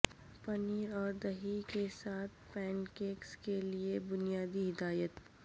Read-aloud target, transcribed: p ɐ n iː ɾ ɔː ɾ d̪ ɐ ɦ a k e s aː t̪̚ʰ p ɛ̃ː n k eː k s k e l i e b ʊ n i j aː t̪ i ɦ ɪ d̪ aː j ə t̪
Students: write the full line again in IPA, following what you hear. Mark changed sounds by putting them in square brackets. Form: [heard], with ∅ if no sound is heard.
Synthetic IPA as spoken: p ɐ n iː ɾ ɔː ɾ d̪ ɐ ɦ [i] k e s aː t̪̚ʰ p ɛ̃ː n k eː k s k e l i e b ʊ n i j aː [d̪] i ɦ ɪ d̪ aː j ə t̪